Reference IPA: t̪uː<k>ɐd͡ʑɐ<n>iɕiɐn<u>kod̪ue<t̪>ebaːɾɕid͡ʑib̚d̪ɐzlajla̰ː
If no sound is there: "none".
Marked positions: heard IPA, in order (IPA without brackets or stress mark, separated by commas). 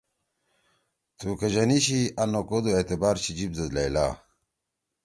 k, n, o, t̪